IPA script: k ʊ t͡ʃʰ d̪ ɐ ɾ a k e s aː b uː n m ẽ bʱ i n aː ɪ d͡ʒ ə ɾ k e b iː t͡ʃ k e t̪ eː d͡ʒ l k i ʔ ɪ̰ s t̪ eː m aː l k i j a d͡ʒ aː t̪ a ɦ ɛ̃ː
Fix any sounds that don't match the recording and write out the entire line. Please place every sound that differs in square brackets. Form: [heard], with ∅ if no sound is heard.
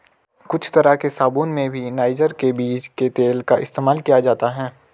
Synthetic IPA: k ʊ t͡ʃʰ [t̪] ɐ ɾ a k e s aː b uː n m ẽ bʱ i n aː ɪ d͡ʒ ə ɾ k e b iː t͡ʃ k e t̪ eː [∅] l k [a] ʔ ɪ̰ s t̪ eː m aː l k i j a d͡ʒ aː t̪ a ɦ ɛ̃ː